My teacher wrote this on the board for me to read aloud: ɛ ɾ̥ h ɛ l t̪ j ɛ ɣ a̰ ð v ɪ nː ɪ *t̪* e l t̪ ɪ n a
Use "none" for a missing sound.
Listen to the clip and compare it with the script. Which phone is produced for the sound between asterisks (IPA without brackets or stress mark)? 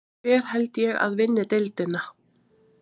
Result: t̪